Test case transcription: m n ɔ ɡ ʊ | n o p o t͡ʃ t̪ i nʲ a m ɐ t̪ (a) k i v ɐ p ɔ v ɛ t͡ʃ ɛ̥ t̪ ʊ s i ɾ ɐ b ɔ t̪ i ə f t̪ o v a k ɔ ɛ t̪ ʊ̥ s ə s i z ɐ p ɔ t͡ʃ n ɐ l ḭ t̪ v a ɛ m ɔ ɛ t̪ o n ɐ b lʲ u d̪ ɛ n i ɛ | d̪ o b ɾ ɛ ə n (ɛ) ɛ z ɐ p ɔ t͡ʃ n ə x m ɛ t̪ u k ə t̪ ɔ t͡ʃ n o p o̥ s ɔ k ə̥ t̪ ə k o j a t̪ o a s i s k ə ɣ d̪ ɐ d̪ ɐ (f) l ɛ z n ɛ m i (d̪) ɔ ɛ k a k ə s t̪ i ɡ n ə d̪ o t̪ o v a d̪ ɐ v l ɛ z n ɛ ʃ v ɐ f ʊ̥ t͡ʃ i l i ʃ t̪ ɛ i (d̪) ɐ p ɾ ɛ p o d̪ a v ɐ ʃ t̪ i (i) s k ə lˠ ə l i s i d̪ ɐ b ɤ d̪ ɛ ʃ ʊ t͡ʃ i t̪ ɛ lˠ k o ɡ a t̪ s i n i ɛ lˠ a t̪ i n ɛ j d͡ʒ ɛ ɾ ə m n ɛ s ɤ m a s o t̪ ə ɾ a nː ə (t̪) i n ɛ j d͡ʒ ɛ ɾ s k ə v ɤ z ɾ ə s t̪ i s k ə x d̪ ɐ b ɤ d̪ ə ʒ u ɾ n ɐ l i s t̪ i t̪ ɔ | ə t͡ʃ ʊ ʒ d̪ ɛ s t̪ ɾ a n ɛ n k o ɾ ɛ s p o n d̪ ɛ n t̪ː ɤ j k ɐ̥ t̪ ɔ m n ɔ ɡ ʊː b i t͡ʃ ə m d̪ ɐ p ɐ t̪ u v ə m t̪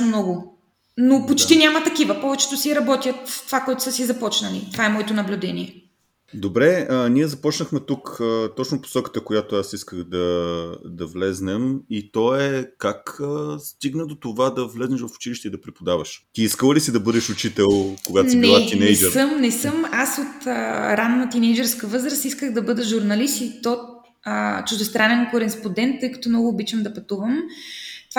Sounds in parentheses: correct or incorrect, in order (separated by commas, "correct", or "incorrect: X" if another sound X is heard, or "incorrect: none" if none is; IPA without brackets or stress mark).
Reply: incorrect: ɐ, incorrect: i, incorrect: v, incorrect: t̪, correct, correct, correct